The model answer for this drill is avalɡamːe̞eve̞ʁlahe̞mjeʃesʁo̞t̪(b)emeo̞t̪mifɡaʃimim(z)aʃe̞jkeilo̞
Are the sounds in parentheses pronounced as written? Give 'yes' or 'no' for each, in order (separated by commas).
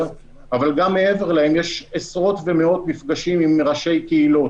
no, no